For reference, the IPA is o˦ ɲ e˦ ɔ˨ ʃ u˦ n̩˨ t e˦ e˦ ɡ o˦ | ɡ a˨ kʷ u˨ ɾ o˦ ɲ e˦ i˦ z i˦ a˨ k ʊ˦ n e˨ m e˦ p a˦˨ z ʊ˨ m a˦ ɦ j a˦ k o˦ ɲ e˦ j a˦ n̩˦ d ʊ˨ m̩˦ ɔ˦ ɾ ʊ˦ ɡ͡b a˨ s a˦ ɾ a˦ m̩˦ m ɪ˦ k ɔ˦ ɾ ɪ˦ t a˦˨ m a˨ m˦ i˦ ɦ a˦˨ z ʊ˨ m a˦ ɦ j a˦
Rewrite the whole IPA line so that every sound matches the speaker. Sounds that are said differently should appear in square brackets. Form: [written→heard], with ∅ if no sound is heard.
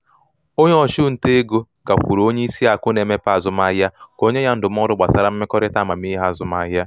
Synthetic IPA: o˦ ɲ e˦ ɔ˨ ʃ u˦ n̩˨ t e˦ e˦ ɡ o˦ | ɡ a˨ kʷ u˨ ɾ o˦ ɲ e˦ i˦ [z→s] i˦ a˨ k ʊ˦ n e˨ m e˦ p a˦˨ z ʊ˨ m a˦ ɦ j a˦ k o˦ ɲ e˦ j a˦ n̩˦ d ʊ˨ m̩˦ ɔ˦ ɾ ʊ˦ ɡ͡b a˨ s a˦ ɾ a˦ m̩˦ m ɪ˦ k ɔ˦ ɾ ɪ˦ t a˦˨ m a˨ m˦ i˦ ɦ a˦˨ z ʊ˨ m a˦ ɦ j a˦